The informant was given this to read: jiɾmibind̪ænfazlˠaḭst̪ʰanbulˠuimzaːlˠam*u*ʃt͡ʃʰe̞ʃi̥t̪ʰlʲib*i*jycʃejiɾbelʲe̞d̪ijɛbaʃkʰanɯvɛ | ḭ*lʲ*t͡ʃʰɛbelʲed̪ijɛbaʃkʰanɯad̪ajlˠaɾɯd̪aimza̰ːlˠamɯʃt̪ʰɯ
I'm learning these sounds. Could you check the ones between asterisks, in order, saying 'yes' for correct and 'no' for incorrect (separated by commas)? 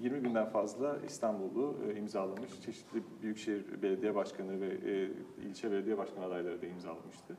no, no, yes